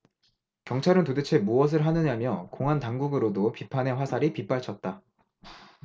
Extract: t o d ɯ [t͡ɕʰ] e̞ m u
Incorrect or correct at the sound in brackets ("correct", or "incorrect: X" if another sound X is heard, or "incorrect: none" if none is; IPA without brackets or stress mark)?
correct